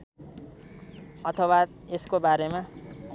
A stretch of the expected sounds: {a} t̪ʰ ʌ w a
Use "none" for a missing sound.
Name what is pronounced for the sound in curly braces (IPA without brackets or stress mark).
ʌ